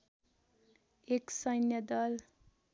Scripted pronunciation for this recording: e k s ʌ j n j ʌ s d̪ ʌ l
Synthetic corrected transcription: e k s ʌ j n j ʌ d̪ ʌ l